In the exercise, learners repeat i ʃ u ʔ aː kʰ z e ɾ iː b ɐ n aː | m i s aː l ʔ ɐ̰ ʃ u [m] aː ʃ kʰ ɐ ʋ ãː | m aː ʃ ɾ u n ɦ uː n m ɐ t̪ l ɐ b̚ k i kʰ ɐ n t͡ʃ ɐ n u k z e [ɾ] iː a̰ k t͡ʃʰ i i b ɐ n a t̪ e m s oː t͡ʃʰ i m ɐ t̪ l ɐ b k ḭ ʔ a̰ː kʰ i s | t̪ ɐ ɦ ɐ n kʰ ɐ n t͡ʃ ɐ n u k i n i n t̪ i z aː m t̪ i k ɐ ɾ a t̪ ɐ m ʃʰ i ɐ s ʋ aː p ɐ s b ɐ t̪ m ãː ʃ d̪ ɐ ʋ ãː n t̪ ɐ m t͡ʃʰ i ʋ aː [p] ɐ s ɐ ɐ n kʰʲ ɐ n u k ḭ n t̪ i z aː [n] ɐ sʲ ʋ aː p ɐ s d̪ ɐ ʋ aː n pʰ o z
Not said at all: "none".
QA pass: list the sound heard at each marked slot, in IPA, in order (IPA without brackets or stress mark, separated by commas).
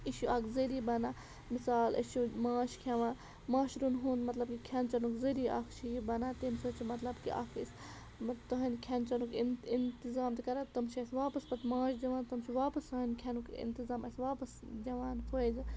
m, ɾ, p, m